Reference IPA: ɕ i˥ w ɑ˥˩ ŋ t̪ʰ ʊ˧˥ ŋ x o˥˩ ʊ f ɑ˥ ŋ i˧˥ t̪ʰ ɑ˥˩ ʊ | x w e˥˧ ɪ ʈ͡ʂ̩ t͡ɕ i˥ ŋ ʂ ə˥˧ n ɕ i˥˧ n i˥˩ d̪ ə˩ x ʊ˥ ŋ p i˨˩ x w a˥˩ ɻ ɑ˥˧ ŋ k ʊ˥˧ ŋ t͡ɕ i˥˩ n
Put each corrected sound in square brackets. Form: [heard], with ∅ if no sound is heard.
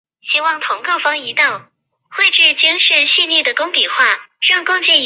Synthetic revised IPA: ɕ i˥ w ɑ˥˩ ŋ t̪ʰ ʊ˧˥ ŋ [k] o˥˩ ʊ f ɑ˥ ŋ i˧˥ [t̪] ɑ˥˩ ʊ | x w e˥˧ ɪ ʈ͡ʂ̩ t͡ɕ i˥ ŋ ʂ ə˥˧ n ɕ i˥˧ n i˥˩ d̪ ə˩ [k] ʊ˥ ŋ p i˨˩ x w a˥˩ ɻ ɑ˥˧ ŋ k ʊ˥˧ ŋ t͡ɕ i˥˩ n